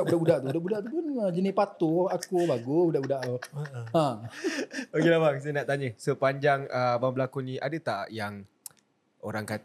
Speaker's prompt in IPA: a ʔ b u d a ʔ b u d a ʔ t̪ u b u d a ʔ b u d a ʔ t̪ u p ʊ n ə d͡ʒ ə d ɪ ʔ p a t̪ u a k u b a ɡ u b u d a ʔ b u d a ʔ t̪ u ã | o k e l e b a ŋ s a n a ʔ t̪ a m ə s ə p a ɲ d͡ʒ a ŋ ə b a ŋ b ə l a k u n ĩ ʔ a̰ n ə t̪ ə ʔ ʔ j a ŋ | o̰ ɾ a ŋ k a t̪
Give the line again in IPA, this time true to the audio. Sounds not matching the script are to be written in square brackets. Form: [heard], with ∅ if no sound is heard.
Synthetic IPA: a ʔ b u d a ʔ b u d a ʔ t̪ u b u d a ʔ b u d a ʔ t̪ u p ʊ n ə d͡ʒ ə [n] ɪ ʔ p a t̪ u a k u b a ɡ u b u d a ʔ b u d a ʔ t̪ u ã | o k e l [a] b a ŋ s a n a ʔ t̪ a [ɲ] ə s ə p a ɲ d͡ʒ a ŋ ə b a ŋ b ə l a k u n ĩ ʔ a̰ [d] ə t̪ [a] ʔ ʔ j a ŋ | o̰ ɾ a ŋ k a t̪